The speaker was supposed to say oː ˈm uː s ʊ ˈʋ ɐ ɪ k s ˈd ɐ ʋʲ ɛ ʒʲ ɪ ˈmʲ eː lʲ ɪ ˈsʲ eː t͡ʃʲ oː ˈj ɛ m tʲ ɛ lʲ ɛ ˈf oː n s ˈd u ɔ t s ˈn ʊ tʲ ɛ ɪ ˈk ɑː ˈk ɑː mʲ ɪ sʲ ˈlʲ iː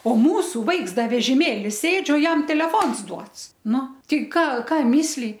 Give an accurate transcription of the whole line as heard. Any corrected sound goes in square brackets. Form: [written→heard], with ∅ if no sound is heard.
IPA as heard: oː ˈm uː s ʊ ˈʋ ɐ ɪ k s ˈd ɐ ʋʲ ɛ ʒʲ ɪ ˈmʲ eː lʲ ɪ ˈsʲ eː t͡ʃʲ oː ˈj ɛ m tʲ ɛ lʲ ɛ ˈf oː n s ˈd u ɔ t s ˈn ʊ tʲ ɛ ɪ ˈk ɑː ˈk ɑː mʲ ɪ sʲ ˈlʲ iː

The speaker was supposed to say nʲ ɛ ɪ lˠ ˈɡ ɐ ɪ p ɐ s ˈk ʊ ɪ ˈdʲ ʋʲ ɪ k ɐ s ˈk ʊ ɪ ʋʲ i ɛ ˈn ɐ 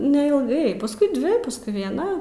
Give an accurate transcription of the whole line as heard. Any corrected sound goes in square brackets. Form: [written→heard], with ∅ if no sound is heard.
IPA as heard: nʲ ɛ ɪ lˠ ˈɡ ɐ ɪ p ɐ s ˈk ʊ ɪ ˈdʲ ʋʲ ɪ [k→p] ɐ s ˈk ʊ ɪ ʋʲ i ɛ ˈn ɐ

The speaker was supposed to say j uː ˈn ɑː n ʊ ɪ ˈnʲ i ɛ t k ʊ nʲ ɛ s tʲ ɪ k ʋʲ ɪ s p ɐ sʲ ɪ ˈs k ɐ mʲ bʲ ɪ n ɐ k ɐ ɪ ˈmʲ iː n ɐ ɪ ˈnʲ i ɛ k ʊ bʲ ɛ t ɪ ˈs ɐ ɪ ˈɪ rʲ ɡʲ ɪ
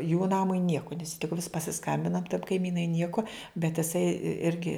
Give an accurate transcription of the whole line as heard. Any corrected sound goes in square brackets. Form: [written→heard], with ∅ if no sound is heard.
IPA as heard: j uː ˈn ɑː [n→m] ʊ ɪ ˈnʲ i ɛ [t→∅] k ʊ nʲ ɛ s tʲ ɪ k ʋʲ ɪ s p ɐ sʲ ɪ ˈs k ɐ mʲ bʲ ɪ n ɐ k ɐ ɪ ˈmʲ iː n ɐ ɪ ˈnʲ i ɛ k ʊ bʲ ɛ t ɪ ˈs ɐ ɪ ˈɪ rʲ ɡʲ ɪ

